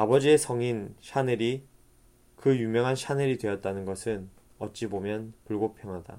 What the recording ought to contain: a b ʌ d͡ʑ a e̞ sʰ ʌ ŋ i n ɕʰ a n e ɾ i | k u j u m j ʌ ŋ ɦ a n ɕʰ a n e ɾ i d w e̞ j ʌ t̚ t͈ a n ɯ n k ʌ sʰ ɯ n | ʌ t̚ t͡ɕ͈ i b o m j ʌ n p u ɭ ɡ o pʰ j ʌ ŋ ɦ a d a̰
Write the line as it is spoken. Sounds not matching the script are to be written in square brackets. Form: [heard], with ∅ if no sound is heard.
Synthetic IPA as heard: a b ʌ d͡ʑ [i] e̞ sʰ ʌ ŋ i n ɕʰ a n e ɾ i | k [ɯ] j u m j ʌ ŋ ɦ a n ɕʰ a n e ɾ i d w e̞ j ʌ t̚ t͈ a n ɯ n [ɡ] ʌ sʰ ɯ n | ʌ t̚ t͡ɕ͈ i b o m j ʌ n p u ɭ ɡ o pʰ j ʌ ŋ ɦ a d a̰